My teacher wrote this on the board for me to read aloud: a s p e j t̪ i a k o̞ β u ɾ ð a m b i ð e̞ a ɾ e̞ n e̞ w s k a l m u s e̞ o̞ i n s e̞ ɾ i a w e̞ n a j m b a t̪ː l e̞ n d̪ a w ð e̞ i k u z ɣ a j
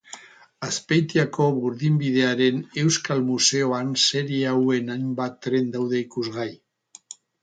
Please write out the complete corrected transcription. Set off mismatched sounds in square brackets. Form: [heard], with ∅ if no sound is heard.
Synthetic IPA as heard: a s p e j t̪ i a k o̞ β u ɾ ð [i] m b i ð e̞ a ɾ e̞ n e̞ w s k a l m u s e̞ o̞ [a] n s e̞ ɾ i a w e̞ n a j m b a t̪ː [ɾ] e̞ n d̪ a w ð e̞ i k u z ɣ a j